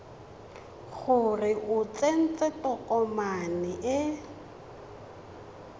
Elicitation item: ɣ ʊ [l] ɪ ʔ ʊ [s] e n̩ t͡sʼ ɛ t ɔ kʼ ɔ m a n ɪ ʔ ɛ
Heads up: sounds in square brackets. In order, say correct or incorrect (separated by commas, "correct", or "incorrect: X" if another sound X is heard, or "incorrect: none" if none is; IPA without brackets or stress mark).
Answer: incorrect: r, incorrect: t͡s